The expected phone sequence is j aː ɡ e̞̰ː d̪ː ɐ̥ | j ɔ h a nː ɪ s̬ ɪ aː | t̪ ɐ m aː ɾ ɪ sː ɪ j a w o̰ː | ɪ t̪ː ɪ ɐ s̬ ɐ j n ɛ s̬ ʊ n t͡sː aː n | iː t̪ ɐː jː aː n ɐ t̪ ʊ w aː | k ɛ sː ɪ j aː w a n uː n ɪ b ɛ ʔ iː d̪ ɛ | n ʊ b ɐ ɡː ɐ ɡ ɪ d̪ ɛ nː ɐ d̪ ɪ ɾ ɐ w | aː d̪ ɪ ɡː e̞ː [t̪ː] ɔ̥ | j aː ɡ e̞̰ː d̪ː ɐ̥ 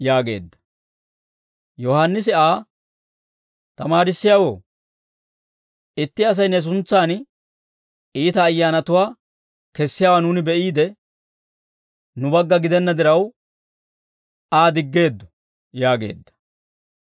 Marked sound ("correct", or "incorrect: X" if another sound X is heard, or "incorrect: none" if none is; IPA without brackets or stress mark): incorrect: d̪ː